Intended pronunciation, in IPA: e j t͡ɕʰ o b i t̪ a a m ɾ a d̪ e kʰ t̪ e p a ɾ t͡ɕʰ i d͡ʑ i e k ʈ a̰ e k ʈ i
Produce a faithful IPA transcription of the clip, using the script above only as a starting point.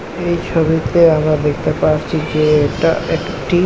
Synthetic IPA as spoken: e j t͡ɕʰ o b i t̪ e a m ɾ a d̪ e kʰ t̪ e p a ɾ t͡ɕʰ i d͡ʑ e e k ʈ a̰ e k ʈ i

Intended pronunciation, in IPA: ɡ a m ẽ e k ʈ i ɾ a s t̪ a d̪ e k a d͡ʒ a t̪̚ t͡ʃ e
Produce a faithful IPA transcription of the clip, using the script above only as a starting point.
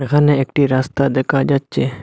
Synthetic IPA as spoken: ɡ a n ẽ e k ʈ i ɾ a s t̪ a d̪ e k a d͡ʒ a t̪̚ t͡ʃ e

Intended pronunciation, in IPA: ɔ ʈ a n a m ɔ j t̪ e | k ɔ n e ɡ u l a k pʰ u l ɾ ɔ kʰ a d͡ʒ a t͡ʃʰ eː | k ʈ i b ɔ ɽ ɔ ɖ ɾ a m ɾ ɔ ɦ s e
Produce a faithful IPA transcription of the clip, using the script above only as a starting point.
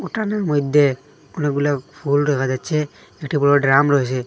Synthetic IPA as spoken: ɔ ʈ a n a m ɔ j d̪ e | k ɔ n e ɡ u l a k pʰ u l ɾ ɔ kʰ a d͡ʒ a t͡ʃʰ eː | k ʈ i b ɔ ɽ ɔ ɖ ɾ a m ɾ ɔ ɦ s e

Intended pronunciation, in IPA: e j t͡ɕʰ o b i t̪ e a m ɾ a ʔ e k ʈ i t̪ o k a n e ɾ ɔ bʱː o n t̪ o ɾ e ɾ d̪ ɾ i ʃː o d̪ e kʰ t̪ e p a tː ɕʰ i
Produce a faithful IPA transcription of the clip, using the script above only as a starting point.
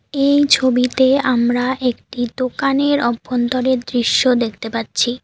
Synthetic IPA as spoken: e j t͡ɕʰ o b i t̪ e a m ɾ a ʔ e k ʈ i d̪ o k a n e ɾ ɔ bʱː o n t̪ o ɾ e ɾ d̪ ɾ i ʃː o d̪ e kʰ t̪ e p a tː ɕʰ i

